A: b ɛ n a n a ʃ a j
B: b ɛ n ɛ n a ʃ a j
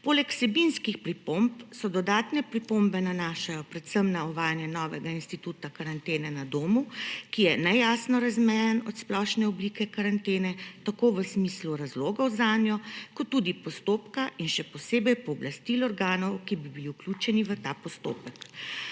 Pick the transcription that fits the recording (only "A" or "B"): A